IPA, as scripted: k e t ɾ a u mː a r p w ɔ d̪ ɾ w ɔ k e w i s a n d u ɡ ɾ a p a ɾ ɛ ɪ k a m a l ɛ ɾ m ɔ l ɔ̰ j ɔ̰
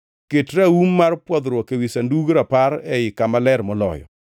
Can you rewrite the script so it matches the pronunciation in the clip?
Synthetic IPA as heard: k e t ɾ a u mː a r p w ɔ d̪ ɾ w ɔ k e w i s a n d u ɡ ɾ a p a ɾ ɛ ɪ k a m a l ɛ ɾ m ɔ l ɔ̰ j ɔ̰